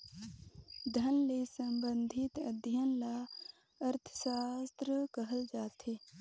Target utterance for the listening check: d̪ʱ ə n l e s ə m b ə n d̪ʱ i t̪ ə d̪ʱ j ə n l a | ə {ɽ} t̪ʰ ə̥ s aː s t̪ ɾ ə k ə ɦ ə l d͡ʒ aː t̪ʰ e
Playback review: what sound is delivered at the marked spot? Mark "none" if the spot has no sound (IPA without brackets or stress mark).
ɾ